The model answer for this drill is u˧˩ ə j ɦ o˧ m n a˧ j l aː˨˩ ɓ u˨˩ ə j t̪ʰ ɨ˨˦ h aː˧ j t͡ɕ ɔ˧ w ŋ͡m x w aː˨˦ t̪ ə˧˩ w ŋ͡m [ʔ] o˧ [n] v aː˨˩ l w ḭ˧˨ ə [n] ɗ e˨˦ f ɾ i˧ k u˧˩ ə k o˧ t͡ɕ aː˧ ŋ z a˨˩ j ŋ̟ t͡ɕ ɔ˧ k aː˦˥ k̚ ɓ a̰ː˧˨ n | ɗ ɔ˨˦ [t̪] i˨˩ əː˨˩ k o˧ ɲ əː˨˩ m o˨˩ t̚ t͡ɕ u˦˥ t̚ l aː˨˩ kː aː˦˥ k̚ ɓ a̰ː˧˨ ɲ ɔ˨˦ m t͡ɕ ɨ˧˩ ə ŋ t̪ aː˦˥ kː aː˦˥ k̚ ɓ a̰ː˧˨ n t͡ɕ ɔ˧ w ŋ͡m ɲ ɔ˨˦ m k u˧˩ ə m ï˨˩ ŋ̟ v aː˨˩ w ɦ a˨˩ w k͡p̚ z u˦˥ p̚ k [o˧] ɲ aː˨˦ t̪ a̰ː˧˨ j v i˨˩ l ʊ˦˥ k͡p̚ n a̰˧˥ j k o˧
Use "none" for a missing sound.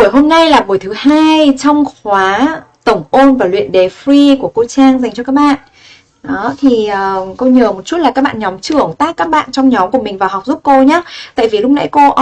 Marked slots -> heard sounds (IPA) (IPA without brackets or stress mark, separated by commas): ʔ, n, n, t̪ʰ, o˧